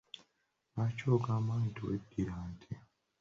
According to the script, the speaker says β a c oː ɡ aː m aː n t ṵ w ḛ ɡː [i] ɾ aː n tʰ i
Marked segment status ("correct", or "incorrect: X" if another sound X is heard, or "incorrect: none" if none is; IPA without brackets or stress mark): correct